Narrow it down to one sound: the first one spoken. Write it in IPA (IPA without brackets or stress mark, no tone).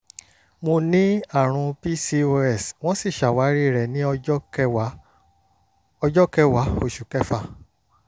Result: m